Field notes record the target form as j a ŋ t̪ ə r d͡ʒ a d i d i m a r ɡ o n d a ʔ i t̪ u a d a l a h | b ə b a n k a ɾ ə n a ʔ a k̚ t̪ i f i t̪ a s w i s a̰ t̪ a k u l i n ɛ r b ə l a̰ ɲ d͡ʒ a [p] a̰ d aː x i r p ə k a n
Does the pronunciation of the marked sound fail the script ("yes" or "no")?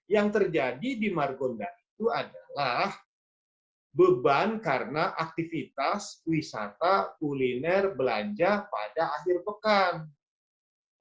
no